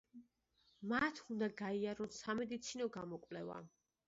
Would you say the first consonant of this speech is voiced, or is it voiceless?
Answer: voiced